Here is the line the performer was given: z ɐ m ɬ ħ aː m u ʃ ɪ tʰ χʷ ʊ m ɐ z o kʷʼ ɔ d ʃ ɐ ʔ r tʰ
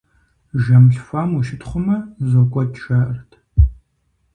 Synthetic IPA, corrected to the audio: ʒ ɐ m ɬ f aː m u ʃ ɪ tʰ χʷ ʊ m ɐ z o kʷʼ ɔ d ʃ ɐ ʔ r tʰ